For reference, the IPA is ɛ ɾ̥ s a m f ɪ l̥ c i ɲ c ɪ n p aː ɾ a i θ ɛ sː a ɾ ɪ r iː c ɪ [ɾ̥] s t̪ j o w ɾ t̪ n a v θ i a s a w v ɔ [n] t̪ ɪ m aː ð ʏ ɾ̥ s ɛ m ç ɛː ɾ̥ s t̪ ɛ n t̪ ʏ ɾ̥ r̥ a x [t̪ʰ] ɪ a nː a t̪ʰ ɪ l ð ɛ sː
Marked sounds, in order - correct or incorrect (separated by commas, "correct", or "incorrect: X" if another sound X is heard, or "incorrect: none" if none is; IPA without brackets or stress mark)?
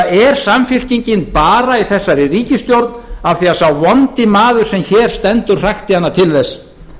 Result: incorrect: none, correct, incorrect: t̪